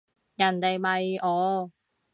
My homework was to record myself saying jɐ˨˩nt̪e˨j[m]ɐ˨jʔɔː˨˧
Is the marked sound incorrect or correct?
correct